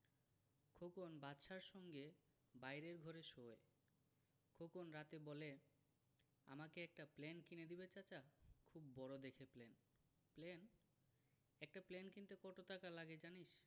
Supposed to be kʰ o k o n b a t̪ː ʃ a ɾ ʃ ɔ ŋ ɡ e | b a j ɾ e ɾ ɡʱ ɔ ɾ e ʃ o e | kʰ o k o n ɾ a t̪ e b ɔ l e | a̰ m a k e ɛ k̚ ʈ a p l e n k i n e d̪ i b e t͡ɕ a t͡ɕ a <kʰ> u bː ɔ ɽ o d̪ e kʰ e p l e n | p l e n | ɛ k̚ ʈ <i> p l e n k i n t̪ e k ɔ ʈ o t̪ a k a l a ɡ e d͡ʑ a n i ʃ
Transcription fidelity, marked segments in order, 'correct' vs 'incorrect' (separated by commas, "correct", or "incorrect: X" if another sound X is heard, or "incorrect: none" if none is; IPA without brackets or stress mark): correct, incorrect: a